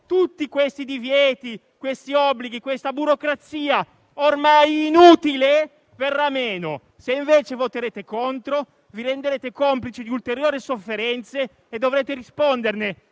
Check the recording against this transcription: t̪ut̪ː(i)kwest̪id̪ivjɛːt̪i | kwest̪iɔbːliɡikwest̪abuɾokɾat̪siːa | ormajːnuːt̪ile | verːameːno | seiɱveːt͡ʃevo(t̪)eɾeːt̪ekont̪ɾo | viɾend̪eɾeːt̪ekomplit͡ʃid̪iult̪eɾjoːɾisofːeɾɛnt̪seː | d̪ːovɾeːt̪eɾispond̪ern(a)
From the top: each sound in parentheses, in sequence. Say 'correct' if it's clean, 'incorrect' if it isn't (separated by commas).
correct, correct, incorrect